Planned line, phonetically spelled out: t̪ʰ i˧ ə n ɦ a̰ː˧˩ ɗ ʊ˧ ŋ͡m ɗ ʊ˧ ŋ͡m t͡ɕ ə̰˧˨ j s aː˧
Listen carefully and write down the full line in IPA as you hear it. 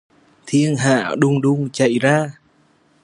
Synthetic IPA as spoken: t̪ʰ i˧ ə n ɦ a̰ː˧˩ ɗ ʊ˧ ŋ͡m ɗ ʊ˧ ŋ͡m t͡ɕ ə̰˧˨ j z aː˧